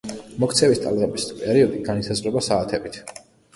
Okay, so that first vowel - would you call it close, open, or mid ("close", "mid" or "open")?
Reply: mid